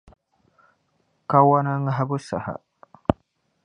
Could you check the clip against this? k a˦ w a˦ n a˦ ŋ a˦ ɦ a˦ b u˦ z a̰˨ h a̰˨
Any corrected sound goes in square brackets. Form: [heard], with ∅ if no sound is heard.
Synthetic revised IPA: k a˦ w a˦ n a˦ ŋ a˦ ɦ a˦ b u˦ [s] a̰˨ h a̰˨